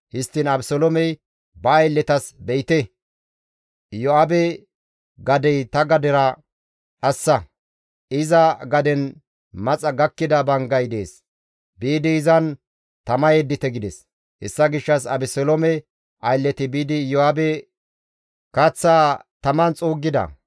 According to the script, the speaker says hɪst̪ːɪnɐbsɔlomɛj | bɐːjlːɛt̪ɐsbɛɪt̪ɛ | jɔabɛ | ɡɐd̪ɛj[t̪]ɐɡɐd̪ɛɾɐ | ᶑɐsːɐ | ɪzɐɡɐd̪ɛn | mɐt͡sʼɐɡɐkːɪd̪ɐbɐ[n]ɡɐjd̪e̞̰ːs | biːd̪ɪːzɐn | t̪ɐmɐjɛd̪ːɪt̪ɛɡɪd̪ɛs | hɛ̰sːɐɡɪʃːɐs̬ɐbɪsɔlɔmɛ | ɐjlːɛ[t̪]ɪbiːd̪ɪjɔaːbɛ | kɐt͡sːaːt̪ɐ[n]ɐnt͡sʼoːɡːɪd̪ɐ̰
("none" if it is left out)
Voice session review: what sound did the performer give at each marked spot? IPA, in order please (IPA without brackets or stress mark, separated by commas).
t̪, ŋ, t̪, m